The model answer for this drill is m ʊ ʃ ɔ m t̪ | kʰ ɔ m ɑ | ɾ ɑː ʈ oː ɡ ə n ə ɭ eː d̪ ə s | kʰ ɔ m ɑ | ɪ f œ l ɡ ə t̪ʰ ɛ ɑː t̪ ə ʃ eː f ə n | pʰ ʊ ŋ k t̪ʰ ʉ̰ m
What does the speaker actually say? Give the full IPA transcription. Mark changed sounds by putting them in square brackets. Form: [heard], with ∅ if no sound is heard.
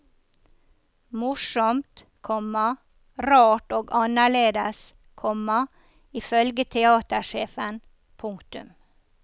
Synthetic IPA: m ʊ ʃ ɔ m t̪ | kʰ ɔ m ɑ | ɾ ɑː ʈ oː ɡ [ɑ] n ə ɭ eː d̪ ə s | kʰ ɔ m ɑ | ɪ f œ l ɡ ə t̪ʰ ɛ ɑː t̪ ə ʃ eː f ə n | pʰ ʊ ŋ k [t̪] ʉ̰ m